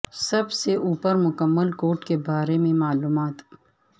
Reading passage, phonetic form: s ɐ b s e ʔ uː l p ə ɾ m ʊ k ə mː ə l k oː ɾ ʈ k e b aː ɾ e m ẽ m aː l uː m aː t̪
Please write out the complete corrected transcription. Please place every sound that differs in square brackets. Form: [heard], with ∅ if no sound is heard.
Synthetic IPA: s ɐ b s e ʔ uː [∅] p ə ɾ m ʊ k ə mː ə l k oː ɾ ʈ k e b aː ɾ e m ẽ m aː l uː m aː t̪